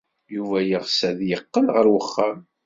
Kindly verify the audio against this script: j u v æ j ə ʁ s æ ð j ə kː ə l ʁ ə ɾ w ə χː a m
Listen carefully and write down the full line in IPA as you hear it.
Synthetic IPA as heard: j u v æ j ə ʁ s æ ð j ə qː ə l ʁ ə ɾ w ə χː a m